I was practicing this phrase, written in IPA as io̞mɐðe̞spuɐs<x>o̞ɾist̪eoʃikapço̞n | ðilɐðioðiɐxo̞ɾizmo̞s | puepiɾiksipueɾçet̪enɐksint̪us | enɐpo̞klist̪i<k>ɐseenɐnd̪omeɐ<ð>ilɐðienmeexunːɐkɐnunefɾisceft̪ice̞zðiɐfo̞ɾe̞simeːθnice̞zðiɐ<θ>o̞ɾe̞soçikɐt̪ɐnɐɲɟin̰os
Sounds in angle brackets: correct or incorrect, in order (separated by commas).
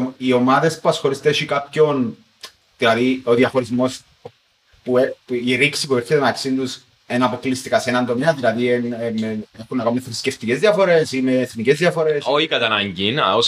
correct, correct, correct, incorrect